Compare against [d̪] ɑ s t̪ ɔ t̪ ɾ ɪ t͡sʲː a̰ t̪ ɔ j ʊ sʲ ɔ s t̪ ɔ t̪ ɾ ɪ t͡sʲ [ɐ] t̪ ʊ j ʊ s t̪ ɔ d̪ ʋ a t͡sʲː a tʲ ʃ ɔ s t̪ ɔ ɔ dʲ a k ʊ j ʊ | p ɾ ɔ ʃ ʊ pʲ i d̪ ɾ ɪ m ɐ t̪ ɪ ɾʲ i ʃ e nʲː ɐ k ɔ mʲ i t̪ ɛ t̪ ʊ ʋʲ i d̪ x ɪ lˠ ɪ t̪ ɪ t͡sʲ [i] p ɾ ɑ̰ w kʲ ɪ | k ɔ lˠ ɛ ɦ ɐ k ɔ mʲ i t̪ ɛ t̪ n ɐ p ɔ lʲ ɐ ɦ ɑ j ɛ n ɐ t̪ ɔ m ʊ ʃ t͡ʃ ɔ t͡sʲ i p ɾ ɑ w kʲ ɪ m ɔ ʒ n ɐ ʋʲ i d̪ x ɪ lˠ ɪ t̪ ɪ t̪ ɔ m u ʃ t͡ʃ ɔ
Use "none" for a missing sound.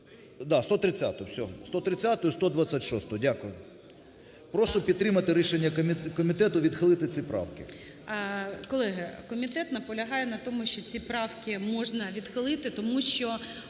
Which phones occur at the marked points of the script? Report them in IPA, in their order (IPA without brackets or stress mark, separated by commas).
d̪, a, i